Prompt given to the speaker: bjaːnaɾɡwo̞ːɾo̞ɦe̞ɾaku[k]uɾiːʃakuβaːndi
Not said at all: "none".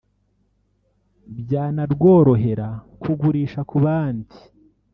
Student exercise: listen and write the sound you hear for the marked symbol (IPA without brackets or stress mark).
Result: ɡ